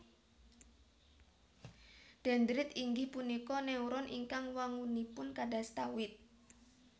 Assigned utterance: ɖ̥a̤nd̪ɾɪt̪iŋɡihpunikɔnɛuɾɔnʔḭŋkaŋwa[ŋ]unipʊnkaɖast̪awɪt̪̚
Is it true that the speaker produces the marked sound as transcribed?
yes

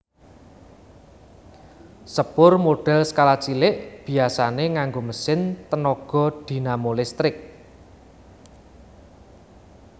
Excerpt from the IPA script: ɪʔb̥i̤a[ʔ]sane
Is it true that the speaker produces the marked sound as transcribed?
no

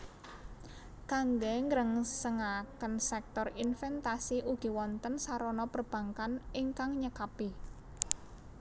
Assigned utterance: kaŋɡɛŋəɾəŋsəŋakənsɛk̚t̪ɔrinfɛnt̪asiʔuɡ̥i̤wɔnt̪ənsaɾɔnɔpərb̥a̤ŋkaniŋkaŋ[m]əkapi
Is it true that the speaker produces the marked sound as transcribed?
no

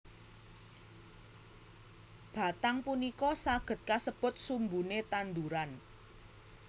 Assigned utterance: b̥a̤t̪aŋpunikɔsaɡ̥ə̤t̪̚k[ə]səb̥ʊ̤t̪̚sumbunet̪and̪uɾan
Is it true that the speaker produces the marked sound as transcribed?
no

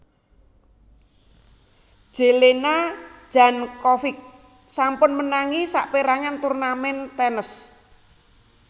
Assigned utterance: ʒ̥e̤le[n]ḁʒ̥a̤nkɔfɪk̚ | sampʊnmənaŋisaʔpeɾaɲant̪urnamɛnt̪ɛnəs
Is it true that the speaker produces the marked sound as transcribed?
yes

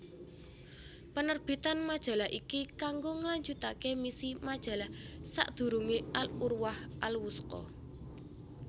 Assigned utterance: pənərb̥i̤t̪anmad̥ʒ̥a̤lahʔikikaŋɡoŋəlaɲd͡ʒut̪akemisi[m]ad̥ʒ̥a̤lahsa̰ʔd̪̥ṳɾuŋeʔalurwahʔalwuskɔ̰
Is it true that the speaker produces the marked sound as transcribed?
yes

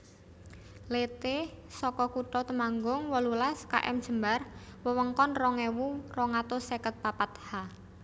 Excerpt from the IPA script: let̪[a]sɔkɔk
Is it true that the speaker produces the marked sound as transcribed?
no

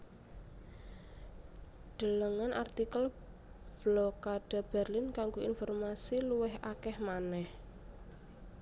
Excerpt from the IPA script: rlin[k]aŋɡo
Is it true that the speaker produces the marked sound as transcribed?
yes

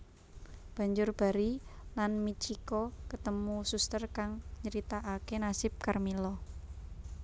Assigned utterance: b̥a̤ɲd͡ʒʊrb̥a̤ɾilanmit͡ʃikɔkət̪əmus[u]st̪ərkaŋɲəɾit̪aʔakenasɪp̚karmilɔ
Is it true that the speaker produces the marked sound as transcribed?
yes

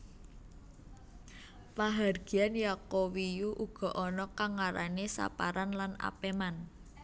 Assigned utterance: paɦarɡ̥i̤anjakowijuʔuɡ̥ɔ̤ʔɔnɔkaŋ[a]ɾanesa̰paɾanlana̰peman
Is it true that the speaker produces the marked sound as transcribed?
yes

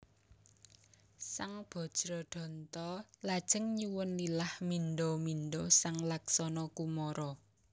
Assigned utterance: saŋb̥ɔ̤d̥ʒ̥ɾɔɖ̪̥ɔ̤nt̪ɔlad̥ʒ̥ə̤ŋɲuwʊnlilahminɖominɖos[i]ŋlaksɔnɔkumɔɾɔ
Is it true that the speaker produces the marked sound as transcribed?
no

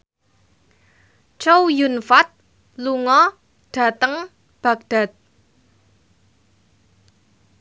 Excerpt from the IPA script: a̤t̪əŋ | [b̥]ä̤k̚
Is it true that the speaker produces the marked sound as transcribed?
yes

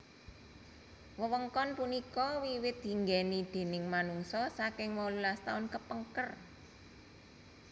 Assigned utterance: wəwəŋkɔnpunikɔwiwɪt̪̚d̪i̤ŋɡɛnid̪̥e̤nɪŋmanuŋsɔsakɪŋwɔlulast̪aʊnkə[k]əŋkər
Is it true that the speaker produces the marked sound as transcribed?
no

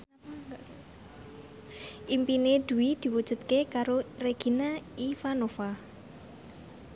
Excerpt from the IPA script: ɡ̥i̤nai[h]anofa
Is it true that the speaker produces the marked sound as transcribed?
no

